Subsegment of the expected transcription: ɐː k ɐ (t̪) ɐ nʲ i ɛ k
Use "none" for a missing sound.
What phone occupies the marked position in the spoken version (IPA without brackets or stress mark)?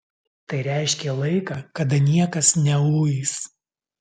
d̪